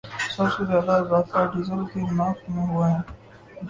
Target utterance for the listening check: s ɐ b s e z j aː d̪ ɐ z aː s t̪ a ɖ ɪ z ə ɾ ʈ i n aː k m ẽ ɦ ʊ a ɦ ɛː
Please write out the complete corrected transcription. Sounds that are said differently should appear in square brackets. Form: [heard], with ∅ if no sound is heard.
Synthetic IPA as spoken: s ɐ b s e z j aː d̪ [a] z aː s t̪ a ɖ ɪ z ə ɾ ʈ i n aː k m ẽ ɦ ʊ a ɦ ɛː